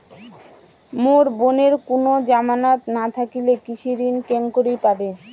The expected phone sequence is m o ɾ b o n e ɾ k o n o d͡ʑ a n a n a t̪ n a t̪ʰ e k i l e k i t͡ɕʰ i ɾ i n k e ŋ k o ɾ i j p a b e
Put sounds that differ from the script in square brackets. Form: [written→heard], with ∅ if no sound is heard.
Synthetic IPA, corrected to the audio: m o ɾ b o n e ɾ k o n o d͡ʑ a [n→m] a n a t̪ n a t̪ʰ [e→a] k i l e k i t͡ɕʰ i ɾ i n k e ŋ k o ɾ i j p a b e